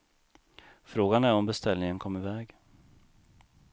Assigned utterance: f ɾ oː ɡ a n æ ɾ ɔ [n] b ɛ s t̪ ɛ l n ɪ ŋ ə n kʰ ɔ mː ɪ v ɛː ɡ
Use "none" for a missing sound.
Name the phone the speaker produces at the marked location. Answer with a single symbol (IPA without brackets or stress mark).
m